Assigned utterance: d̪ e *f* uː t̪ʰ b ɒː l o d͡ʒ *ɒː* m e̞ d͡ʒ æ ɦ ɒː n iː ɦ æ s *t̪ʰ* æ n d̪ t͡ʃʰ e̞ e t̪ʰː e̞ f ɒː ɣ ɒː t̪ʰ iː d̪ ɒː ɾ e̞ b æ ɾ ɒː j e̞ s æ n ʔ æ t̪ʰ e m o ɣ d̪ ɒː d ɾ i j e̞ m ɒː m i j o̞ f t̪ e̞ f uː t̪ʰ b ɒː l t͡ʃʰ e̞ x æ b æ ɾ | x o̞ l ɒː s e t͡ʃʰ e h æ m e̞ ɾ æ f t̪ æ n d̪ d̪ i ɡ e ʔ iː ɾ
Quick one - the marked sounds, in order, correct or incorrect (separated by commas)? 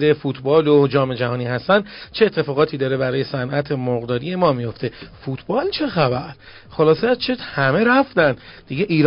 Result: correct, correct, incorrect